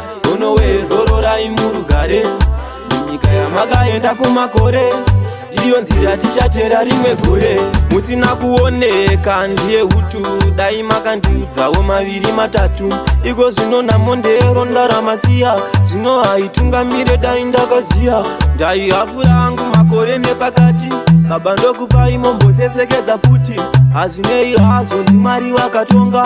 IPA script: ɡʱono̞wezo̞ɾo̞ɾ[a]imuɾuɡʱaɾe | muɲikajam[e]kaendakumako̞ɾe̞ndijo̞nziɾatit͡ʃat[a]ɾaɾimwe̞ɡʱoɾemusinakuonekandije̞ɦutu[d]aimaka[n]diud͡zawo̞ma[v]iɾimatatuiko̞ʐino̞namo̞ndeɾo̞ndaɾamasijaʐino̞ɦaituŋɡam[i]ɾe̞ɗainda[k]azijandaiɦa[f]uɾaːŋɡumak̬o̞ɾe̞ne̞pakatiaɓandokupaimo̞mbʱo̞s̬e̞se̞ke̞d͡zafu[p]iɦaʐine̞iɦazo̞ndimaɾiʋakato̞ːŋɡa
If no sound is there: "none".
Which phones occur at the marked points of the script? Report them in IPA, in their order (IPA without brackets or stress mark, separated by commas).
a, a, e, ɗ, n, ʋ, i, k, f, t